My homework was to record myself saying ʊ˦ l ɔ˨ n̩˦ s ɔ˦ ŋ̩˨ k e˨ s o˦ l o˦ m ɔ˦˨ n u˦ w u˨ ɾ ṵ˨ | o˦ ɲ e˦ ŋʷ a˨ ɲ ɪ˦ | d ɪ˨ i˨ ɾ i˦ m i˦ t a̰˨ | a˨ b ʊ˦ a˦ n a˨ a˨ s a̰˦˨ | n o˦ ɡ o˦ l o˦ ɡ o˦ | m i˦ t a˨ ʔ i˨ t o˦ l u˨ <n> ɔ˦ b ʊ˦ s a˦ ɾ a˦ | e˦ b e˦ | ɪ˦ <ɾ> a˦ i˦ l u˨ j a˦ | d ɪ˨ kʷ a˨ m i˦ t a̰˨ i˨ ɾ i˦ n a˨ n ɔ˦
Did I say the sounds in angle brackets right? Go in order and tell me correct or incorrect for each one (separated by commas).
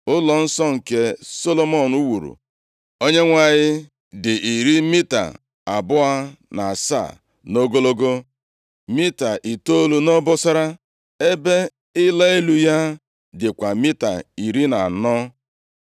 correct, incorrect